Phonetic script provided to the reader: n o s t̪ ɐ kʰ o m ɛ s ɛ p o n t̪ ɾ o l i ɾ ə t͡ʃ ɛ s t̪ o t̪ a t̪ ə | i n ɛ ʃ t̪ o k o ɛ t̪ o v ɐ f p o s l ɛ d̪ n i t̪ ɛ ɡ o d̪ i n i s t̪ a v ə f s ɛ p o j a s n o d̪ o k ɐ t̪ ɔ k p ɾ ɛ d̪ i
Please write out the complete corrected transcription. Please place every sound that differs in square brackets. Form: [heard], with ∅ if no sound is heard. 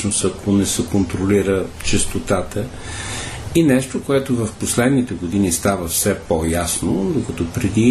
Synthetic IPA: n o s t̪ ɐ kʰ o [n] ɛ s ɛ [k] o n t̪ ɾ o l i ɾ ə t͡ʃ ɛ s t̪ o t̪ a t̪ ə | i n ɛ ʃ t̪ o k o ɛ t̪ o v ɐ f p o s l ɛ d̪ n i t̪ ɛ ɡ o d̪ i n i s t̪ a v ə f s ɛ p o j a s n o d̪ o k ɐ t̪ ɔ [∅] p ɾ ɛ d̪ i